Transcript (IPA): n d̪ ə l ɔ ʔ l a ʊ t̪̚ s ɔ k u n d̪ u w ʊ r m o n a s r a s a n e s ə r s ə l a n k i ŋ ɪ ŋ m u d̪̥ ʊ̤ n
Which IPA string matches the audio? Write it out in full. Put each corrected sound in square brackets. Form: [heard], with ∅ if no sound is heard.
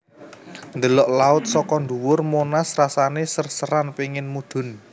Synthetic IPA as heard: n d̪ ə l ɔ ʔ l a ʊ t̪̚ s ɔ k [ɔ] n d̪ u w ʊ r m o n a s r a s a n e s ə r s ə [ɾ] a n [p] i ŋ ɪ [n] m u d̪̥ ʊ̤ n